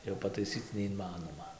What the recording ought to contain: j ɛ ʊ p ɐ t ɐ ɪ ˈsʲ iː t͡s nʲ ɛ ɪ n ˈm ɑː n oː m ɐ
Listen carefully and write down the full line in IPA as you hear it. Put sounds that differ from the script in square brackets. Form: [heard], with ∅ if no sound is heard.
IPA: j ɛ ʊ p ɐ t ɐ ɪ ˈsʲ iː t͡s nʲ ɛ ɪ n ˈm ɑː n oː m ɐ